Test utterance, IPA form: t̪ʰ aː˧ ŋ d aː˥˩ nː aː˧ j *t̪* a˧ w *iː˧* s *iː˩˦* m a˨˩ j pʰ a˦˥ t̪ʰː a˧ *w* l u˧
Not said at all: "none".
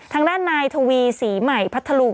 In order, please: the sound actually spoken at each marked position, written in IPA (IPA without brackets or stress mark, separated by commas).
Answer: t̪ʰ, iː˧, iː˩˦, none